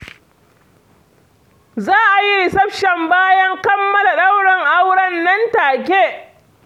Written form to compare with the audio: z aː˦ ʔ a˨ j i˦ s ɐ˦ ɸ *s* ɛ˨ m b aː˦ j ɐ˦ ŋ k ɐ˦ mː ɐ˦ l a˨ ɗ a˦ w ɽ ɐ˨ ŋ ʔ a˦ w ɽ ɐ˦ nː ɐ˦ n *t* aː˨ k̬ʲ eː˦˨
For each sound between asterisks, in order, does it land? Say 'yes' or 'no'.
no, yes

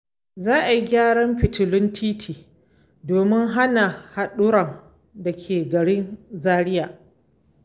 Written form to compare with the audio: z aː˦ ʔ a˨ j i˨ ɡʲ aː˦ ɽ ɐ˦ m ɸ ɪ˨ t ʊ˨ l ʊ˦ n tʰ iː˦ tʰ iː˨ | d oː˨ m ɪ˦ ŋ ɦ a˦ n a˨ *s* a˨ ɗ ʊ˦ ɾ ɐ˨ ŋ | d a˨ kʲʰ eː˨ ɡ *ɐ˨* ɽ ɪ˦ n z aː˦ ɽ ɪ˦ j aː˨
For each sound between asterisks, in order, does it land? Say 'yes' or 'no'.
no, yes

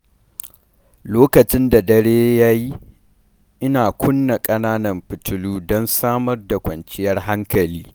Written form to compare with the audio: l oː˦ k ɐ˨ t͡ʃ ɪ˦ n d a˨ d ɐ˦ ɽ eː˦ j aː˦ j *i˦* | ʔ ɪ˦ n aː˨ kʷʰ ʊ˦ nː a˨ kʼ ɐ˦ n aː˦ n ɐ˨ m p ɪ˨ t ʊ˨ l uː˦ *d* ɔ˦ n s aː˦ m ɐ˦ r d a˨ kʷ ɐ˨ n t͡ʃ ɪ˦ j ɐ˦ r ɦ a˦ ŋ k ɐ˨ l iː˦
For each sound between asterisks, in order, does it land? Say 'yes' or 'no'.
yes, yes

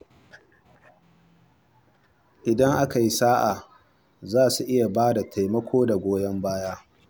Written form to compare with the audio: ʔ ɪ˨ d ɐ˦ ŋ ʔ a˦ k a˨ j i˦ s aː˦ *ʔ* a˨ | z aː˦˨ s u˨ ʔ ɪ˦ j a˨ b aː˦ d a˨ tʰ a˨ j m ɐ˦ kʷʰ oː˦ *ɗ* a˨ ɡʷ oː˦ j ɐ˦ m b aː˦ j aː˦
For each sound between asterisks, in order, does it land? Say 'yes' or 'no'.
yes, no

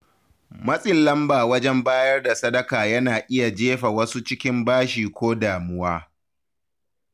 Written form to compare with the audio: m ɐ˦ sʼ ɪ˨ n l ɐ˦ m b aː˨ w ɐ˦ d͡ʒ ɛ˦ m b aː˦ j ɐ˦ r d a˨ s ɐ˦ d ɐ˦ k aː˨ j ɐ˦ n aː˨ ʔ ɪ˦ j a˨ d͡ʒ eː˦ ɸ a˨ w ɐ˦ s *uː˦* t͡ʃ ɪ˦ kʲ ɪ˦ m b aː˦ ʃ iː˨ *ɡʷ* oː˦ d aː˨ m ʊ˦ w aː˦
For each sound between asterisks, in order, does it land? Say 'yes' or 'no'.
no, no

